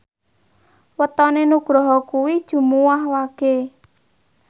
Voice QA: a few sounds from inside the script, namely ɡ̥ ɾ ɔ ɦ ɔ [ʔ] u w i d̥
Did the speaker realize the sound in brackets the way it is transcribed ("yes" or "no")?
no